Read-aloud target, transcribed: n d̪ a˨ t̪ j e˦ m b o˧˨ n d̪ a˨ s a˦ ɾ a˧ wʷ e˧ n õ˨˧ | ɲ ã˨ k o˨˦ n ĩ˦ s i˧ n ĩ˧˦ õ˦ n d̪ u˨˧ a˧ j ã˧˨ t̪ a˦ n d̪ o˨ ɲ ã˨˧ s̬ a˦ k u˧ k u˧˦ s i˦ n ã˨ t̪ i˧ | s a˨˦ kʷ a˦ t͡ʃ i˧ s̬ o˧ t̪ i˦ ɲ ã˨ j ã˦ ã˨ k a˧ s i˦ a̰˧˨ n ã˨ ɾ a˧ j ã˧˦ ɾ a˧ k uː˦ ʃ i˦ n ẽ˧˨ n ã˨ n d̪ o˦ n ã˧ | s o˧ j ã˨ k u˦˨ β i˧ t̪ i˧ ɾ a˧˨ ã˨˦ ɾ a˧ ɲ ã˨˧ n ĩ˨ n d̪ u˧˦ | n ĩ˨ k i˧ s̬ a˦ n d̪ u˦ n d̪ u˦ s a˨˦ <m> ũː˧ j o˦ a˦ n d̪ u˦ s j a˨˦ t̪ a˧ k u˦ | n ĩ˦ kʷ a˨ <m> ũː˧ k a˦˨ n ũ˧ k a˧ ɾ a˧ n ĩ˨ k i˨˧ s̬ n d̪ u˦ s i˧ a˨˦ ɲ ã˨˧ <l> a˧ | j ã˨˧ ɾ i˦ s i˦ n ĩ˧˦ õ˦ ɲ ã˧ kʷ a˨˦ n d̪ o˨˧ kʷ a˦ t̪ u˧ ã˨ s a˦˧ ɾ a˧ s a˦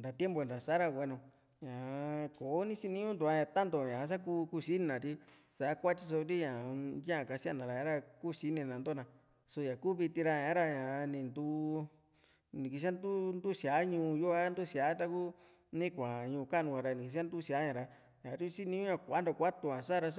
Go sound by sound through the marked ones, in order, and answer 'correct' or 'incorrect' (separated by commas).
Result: incorrect, incorrect, incorrect